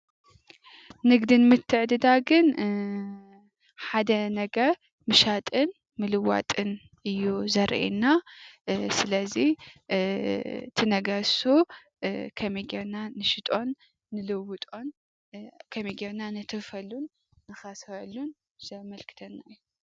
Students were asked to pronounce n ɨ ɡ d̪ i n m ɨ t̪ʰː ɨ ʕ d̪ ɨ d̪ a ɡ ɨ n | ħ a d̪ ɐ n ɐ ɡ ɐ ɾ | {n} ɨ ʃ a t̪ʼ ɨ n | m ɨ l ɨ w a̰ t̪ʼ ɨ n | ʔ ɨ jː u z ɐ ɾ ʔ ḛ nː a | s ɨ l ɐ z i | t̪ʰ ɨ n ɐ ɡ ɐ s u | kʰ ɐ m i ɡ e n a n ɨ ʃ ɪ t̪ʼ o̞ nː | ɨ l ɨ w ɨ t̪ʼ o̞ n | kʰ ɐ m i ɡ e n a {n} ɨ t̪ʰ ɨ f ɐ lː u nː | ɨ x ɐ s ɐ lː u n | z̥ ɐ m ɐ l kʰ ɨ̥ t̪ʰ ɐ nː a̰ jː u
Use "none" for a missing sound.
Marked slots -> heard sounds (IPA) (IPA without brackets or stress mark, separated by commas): m, n